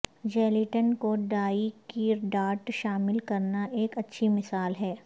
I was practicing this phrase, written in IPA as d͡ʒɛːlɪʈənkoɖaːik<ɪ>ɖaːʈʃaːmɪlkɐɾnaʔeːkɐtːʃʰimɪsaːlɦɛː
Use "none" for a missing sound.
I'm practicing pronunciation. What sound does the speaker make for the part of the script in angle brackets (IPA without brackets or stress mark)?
i